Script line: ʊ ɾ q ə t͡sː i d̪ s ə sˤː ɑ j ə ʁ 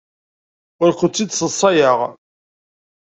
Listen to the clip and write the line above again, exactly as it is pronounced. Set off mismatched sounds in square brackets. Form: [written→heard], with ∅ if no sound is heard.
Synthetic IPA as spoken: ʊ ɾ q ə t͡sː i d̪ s ə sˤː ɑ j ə ʁ